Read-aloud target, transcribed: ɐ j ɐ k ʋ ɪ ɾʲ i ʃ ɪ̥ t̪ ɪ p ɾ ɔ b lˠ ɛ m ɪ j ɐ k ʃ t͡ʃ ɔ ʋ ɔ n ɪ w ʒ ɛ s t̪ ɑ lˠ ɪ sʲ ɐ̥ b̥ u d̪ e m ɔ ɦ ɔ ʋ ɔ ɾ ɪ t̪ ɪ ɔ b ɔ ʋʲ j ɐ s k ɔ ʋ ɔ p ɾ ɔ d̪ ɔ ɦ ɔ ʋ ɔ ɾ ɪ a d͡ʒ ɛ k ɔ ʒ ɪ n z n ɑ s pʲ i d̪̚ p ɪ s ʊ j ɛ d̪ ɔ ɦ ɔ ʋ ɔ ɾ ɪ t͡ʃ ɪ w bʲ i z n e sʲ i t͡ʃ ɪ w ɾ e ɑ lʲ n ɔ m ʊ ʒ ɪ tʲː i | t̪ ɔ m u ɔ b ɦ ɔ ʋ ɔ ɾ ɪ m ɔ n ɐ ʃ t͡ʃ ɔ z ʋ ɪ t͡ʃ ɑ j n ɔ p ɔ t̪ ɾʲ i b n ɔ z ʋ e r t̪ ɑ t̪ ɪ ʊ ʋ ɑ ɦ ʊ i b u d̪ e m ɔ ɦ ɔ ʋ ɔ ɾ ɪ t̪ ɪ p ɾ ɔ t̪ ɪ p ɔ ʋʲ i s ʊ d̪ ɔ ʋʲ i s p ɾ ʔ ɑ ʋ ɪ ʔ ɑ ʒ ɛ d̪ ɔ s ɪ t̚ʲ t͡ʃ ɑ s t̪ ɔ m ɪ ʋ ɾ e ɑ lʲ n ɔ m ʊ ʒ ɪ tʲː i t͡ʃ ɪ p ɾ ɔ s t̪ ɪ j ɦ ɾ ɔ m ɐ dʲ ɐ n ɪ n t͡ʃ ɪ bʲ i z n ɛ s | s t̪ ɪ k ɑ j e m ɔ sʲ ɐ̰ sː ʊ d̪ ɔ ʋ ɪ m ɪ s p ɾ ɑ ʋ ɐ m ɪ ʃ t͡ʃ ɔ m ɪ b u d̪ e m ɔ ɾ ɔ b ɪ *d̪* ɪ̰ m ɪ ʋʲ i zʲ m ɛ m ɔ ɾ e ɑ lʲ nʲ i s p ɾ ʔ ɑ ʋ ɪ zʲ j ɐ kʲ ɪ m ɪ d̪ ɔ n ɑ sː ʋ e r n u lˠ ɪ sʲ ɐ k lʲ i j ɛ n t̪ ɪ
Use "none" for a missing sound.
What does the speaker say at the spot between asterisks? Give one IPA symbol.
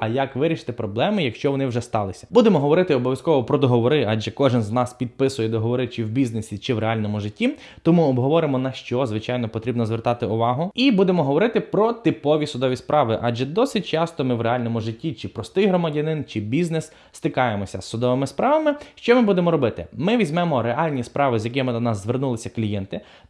t̪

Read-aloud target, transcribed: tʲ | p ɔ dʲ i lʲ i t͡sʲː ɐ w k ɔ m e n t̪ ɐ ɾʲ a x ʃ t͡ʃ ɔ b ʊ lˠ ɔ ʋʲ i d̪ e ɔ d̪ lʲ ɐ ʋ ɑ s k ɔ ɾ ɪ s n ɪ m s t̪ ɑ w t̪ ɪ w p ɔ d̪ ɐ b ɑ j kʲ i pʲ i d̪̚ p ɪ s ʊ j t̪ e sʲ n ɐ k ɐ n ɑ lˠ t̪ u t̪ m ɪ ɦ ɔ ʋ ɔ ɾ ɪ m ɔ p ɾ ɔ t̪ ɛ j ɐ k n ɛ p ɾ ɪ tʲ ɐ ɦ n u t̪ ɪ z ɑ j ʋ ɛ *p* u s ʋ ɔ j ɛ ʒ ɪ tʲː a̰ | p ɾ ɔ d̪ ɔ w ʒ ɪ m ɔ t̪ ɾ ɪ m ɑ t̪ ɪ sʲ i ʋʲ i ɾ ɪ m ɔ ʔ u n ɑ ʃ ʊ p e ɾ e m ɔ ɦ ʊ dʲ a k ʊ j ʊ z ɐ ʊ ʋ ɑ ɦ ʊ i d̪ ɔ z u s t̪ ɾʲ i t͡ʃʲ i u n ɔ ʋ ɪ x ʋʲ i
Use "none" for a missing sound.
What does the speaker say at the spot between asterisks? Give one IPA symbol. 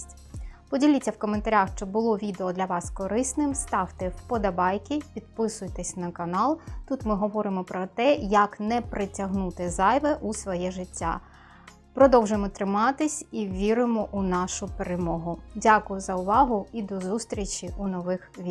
ʔ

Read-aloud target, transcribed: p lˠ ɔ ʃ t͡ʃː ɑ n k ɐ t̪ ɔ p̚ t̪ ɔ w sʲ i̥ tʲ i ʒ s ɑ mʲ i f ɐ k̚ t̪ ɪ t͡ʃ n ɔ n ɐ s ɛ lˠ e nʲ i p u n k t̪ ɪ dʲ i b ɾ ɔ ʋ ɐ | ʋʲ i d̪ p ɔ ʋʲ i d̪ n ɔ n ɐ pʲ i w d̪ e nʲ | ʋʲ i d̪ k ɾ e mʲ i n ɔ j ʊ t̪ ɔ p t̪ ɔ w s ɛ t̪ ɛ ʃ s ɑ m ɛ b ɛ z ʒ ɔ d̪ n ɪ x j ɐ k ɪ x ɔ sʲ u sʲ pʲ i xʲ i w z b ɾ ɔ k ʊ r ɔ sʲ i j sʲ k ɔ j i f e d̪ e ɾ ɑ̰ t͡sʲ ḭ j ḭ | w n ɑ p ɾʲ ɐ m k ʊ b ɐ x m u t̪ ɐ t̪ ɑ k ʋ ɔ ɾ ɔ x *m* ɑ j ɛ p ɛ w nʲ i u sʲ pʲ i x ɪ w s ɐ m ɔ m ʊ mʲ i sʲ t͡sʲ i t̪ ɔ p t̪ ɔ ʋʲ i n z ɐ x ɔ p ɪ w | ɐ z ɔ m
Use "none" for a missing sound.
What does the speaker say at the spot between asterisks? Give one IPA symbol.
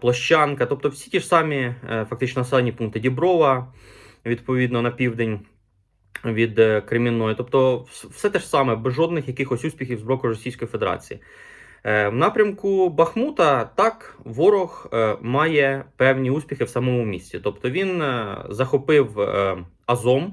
m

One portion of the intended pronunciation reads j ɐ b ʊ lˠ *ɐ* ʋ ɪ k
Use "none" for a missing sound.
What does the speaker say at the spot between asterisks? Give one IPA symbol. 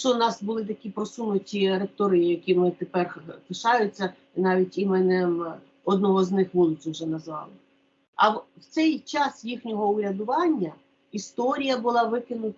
ɑ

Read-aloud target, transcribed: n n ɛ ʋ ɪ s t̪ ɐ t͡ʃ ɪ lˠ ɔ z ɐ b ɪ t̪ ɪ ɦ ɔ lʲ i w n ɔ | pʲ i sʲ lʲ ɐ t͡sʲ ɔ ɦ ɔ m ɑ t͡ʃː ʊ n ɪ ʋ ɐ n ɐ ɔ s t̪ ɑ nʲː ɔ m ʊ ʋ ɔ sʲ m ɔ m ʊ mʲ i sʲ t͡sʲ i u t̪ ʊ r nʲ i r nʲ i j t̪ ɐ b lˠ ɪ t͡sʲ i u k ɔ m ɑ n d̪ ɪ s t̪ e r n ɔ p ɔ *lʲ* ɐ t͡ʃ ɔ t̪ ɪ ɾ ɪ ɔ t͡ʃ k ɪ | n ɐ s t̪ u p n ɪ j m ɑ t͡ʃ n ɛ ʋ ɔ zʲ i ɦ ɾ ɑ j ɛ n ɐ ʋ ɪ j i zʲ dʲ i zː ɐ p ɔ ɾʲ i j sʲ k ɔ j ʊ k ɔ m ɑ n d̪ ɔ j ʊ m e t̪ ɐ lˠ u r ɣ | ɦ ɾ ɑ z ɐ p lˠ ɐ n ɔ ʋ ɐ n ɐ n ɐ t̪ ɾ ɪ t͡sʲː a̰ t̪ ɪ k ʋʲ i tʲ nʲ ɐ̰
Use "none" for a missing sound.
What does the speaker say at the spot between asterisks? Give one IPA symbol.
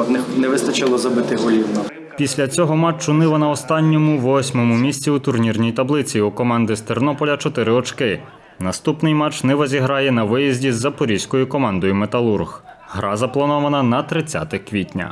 lʲ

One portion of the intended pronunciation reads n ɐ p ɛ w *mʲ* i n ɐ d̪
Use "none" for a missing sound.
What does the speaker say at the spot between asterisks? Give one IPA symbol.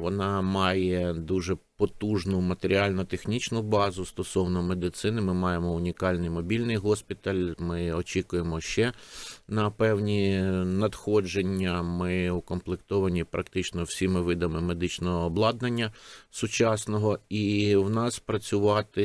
nʲ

